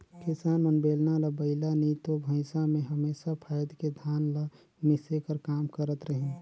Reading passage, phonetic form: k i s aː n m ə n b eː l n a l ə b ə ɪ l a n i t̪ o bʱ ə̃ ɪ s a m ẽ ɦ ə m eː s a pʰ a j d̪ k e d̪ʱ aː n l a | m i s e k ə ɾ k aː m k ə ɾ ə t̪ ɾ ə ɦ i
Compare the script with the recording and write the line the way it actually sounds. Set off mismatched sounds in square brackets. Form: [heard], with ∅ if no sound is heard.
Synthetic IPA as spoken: k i s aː n m ə n b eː l n a l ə b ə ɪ l a n i t̪ o bʱ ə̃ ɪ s a m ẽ ɦ ə m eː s a pʰ a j d̪ k e d̪ʱ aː n l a | m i s e k ə ɾ k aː m k ə ɾ ə t̪ ɾ ə ɦ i